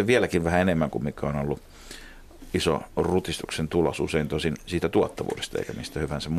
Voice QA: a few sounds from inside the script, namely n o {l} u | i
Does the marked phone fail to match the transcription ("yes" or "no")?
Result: yes